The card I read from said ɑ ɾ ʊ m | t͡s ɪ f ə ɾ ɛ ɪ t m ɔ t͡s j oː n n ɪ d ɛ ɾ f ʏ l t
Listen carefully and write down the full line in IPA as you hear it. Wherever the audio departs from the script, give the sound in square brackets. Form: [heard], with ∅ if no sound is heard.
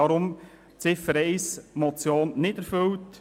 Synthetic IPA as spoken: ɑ ɾ ʊ m | t͡s ɪ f ə ɾ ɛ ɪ [s] m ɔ t͡s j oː n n ɪ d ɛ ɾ f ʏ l t